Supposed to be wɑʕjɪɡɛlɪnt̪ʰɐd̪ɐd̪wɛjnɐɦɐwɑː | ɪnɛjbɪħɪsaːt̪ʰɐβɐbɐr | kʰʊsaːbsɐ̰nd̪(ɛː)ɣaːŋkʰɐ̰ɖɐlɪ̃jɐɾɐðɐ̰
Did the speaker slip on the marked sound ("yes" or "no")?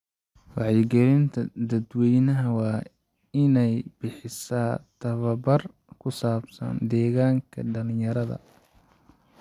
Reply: no